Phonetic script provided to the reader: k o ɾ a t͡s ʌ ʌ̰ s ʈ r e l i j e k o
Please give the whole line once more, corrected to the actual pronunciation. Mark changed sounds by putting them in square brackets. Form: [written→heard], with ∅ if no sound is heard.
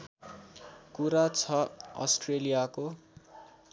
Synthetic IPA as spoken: k [o→u] ɾ a [t͡s→t͡sʰ] ʌ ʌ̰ s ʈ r e l i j [e→a] k o